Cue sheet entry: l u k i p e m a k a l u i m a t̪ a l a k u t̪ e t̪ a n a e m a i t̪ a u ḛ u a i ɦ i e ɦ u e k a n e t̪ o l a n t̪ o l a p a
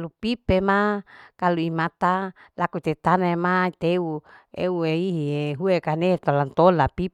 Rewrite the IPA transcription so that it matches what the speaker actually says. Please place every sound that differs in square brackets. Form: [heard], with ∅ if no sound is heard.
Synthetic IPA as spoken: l u [p] i p e m a k a l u i m a t̪ a l a k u t̪ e t̪ a n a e m a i t̪ [e] u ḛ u [e] i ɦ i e ɦ u e k a n e t̪ o l a n t̪ o l a p [i]